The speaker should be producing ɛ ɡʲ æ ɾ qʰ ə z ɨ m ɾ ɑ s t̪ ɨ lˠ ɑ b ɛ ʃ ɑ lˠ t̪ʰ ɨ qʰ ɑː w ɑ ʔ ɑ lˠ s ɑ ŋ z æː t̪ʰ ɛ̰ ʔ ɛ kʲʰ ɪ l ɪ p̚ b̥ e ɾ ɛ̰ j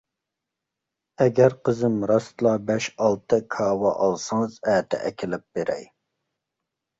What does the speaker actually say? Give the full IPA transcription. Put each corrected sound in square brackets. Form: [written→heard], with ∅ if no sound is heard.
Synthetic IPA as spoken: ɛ ɡʲ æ ɾ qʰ ə z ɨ m ɾ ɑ s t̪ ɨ lˠ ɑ b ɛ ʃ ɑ lˠ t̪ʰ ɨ [qʰ→kʰ] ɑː w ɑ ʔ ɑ lˠ s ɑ ŋ z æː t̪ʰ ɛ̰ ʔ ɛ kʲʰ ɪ l ɪ p̚ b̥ e ɾ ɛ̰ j